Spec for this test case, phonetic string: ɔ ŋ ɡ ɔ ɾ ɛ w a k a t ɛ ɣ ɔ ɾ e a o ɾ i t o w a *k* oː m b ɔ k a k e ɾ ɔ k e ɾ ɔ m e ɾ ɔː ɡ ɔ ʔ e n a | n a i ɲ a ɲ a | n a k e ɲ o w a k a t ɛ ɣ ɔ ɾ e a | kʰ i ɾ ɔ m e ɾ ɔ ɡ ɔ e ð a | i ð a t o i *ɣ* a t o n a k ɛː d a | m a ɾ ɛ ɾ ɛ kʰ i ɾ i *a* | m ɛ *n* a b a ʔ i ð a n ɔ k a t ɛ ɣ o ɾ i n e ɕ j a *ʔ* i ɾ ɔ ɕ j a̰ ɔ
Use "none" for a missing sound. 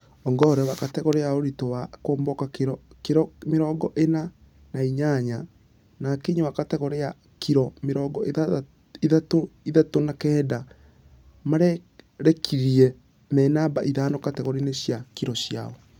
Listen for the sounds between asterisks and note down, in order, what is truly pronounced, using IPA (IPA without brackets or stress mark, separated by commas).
k, ð, ɛ, n, k